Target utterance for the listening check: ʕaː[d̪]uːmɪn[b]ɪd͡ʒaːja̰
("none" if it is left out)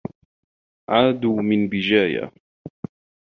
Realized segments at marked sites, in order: d̪, b

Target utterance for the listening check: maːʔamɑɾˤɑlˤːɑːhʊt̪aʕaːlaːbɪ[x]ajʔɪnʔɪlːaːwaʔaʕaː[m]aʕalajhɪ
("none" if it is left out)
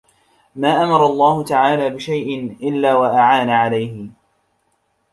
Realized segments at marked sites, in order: ʃ, n

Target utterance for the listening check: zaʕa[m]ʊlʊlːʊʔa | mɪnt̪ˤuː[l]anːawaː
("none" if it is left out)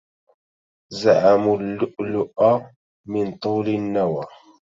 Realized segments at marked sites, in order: m, l

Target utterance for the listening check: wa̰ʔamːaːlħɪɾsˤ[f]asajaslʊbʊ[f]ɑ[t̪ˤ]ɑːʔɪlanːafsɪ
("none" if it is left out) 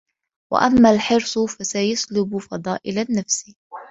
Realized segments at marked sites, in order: f, f, d̪ˤ

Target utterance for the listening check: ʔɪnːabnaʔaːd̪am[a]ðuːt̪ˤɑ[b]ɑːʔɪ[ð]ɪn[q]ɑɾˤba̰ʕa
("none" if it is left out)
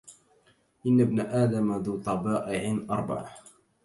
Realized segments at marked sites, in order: a, b, ʕ, ʔ

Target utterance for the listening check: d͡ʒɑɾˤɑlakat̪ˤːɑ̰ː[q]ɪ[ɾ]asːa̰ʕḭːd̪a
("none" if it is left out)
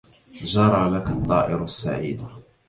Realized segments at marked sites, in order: ʔ, ɾ

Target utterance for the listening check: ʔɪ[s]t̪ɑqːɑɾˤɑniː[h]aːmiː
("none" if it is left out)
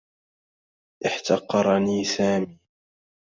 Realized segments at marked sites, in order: ħ, s

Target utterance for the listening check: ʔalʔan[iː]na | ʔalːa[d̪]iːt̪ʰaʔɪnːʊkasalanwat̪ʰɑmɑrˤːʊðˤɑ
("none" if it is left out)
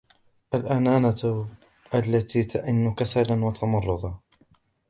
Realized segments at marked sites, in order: aː, t̪

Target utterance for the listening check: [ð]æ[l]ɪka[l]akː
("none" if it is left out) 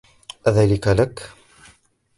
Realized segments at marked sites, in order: ð, l, l

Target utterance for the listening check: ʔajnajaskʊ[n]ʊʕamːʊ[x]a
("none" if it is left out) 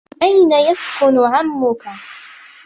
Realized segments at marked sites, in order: n, k

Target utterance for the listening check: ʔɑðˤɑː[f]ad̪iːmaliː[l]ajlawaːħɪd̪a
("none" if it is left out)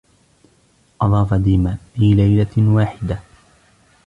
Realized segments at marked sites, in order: f, l

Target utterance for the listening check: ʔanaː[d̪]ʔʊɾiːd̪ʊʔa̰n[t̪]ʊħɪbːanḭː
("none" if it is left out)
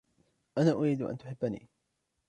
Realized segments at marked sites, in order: none, t̪

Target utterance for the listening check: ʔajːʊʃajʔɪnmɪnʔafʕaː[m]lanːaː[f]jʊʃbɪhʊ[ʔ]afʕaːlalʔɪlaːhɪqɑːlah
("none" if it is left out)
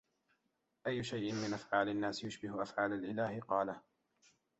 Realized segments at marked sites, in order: none, s, ʔ

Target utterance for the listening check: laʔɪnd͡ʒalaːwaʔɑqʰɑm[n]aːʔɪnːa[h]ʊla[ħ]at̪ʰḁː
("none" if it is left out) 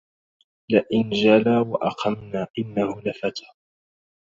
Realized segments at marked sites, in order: n, h, f

